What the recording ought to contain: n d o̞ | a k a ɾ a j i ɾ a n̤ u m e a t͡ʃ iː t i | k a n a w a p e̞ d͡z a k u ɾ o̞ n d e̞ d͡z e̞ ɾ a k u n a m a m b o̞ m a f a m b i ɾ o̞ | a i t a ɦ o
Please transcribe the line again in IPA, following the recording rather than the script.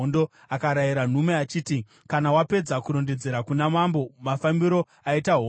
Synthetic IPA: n d o̞ | a k a ɾ a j i ɾ a n̤ u m e a t͡ʃ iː t i | k a n a w a p e̞ d͡z a k u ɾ o̞ n d e̞ d͡z e̞ ɾ a k u n a m a m b o̞ m a f a m b i ɾ o̞ | a i t a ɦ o